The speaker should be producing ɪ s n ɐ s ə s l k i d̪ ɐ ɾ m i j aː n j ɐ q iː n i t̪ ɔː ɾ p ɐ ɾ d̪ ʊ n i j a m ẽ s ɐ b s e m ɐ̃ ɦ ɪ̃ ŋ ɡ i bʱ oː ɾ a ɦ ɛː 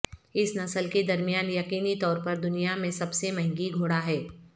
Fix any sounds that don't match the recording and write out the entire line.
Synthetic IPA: ɪ s n ɐ s ə l k e d̪ ɐ ɾ m i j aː n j ɐ q iː n i t̪ ɔː ɾ p ɐ ɾ d̪ ʊ n i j a m ẽ s ɐ b s e m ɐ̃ ɦ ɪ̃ ŋ ɡ i ɡʱ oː ɽ a ɦ ɛː